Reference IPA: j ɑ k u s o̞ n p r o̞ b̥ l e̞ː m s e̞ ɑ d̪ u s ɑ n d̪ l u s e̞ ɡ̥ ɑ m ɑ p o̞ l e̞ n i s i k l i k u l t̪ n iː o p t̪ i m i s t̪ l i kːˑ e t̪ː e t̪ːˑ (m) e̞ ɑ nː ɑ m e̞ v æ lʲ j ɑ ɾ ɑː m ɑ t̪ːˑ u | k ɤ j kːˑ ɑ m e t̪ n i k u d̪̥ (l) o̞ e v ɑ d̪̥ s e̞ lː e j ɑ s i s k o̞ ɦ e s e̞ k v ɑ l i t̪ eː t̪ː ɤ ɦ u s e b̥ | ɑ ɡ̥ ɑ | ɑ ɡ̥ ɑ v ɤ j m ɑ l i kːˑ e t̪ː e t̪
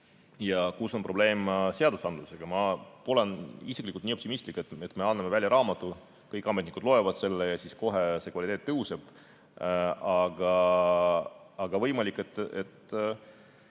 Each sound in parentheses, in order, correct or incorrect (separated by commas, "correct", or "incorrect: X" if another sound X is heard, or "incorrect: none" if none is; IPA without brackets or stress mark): correct, correct